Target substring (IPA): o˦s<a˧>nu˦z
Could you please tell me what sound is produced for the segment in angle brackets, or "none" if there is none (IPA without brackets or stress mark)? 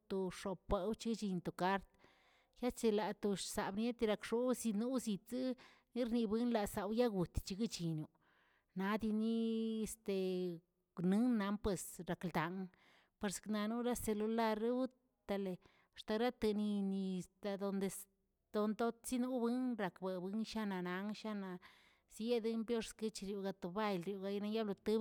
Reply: i˧